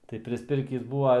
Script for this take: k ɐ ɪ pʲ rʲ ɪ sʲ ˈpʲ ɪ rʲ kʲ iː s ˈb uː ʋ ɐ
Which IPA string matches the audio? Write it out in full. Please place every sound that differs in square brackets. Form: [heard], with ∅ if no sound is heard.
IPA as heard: [t] ɐ ɪ pʲ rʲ ɪ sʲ ˈpʲ ɪ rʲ kʲ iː s ˈb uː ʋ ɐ